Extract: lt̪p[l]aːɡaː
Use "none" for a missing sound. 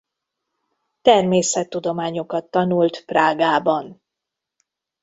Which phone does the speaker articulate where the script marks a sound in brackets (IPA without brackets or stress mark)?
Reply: r